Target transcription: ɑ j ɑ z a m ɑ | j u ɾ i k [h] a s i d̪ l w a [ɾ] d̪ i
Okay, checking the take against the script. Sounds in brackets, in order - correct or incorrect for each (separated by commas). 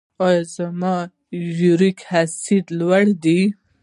correct, incorrect